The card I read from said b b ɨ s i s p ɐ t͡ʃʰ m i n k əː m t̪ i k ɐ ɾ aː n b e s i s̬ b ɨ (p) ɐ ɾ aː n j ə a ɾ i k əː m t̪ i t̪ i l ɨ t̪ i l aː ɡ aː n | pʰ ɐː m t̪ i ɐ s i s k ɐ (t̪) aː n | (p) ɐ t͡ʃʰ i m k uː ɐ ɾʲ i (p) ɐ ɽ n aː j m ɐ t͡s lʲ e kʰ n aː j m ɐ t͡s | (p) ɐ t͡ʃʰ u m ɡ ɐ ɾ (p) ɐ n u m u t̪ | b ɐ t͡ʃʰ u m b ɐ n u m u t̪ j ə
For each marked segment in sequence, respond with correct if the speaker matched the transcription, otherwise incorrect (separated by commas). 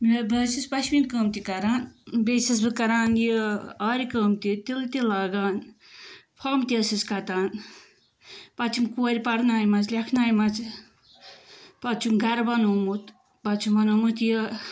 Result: incorrect, correct, correct, correct, correct, incorrect